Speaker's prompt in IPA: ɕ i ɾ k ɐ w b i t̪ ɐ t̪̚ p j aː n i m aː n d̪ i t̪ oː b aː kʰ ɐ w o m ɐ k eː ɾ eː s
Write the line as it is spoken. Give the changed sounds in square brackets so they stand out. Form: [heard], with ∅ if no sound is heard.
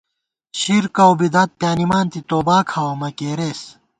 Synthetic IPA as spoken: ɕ i ɾ k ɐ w b i [d̪] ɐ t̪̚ p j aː n i m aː n [t̪] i t̪ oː b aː kʰ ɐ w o m ɐ k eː ɾ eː s